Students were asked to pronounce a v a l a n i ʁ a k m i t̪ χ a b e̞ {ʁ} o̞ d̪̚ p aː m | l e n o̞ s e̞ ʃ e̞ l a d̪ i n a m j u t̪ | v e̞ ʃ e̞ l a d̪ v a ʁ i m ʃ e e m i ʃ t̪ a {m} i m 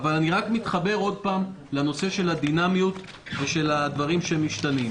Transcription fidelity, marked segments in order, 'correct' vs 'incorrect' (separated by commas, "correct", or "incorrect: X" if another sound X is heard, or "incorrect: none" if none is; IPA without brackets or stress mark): correct, incorrect: n